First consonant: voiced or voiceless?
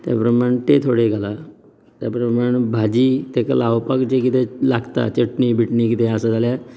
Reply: voiceless